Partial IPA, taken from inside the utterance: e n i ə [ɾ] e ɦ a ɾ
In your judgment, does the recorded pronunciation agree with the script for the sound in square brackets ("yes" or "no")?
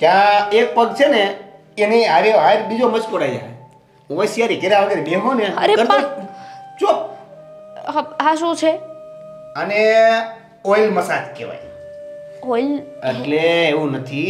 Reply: yes